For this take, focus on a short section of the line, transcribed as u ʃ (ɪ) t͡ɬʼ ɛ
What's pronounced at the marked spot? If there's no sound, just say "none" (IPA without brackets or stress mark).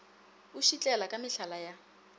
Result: i